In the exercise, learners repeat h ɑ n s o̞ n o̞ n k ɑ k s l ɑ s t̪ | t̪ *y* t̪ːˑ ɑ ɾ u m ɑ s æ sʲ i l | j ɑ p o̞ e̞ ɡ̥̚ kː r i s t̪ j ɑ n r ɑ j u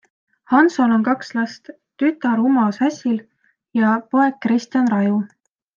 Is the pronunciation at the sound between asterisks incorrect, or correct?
correct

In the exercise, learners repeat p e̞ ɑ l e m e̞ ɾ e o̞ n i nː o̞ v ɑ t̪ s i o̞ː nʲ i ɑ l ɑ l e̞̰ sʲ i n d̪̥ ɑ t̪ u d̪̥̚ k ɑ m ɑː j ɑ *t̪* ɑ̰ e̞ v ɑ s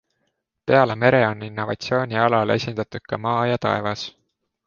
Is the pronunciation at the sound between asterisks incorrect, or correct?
correct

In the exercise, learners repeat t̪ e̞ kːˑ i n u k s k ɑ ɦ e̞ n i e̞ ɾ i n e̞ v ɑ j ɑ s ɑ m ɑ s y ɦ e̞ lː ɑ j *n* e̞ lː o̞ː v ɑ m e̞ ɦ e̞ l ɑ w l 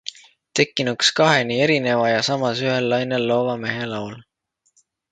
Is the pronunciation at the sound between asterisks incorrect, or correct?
correct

